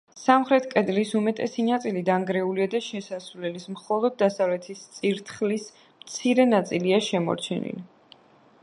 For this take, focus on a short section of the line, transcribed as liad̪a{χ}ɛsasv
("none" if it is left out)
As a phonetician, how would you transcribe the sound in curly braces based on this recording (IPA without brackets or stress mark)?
ʃ